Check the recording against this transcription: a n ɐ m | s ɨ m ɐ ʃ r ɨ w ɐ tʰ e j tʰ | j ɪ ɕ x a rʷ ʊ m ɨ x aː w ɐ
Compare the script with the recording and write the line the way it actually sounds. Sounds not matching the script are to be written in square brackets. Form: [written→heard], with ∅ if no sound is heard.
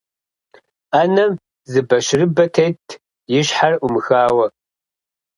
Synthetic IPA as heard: a n ɐ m | [s→z] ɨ [m→b] ɐ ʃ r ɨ [w→b] ɐ tʰ e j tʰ | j ɪ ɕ [x→ħ] a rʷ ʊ m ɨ x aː w ɐ